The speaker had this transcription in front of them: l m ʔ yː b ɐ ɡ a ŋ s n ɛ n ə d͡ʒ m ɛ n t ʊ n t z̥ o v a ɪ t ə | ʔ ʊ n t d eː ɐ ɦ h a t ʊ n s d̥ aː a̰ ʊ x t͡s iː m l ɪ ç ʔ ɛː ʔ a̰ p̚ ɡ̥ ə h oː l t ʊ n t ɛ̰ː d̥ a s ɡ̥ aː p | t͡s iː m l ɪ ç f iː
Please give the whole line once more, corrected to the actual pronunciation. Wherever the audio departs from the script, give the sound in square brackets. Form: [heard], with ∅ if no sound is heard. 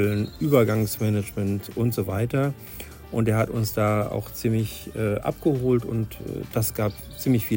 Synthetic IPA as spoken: l [n] ʔ yː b ɐ ɡ a ŋ s [m] ɛ n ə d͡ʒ m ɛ n t ʊ n t z̥ o v a ɪ t [ɐ] | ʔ ʊ n t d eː ɐ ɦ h a t ʊ n s d̥ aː a̰ ʊ x t͡s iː m l ɪ ç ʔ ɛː ʔ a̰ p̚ ɡ̥ ə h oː l t ʊ n t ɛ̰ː d̥ a s ɡ̥ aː p | t͡s iː m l ɪ ç f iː